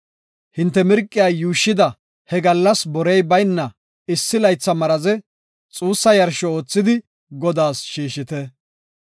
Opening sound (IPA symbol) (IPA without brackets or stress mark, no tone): h